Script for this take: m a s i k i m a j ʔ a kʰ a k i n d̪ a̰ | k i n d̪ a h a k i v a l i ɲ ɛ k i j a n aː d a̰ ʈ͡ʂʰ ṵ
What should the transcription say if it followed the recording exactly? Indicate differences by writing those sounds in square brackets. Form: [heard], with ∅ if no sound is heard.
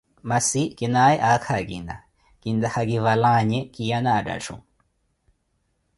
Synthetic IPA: m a s i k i [n] a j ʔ a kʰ a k i n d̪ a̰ | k i n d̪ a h a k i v a l [a] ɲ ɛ k i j a n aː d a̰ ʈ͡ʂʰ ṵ